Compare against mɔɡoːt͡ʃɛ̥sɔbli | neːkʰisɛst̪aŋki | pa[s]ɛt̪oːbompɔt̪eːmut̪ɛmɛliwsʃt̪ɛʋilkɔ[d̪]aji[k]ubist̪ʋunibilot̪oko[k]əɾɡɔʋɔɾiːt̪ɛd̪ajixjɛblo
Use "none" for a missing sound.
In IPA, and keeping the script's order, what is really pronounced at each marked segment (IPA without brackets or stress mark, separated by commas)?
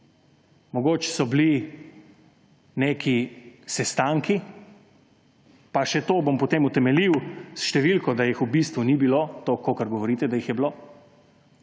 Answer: ʃ, d̪, x, k